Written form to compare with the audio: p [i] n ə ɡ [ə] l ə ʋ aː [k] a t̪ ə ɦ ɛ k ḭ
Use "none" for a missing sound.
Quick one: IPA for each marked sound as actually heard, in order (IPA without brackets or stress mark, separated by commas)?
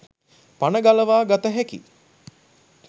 a, a, ɡ